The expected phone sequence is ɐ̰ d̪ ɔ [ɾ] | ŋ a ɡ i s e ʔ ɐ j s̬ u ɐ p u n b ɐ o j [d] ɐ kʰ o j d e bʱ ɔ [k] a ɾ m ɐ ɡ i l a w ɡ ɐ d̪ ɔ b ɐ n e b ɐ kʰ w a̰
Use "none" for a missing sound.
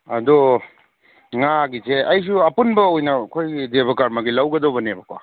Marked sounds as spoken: none, n, k

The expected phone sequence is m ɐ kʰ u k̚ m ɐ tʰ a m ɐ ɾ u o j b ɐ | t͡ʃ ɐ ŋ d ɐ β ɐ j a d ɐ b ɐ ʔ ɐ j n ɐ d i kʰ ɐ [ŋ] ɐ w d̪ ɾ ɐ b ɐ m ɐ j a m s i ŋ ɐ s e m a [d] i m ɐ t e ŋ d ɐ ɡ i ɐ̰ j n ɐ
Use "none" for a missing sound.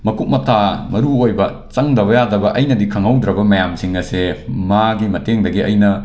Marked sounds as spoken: ŋ, ɡ

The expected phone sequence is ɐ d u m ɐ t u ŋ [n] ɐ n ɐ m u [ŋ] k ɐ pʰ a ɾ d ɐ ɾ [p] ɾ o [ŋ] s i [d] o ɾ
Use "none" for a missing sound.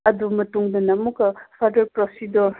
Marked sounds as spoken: d, none, p, none, d

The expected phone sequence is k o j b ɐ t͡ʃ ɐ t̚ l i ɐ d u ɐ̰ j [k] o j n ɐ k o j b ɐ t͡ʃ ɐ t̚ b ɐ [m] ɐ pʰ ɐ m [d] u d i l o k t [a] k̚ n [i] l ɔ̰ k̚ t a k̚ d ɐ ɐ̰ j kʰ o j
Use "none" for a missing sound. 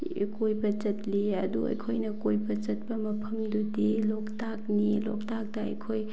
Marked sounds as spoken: kʰ, m, d, a, i

